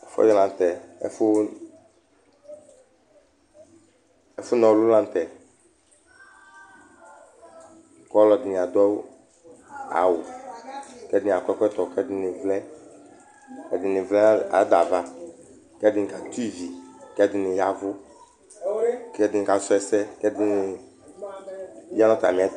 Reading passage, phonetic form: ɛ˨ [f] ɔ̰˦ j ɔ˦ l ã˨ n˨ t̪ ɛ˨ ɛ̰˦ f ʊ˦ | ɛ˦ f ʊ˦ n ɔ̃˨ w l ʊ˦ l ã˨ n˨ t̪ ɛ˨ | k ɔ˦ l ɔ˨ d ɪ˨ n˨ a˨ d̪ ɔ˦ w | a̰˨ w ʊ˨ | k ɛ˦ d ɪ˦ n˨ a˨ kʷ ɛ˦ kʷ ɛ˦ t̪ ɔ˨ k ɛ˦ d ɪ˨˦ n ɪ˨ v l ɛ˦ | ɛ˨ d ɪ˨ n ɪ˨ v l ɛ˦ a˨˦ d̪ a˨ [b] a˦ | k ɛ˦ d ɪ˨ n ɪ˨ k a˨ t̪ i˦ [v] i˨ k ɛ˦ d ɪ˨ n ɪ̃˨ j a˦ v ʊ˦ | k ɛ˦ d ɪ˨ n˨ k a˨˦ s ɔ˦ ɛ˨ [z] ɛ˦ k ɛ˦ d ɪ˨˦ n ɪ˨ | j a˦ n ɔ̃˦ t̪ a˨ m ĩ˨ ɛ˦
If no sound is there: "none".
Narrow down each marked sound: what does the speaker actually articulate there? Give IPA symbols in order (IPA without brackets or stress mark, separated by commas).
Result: f, v, v, s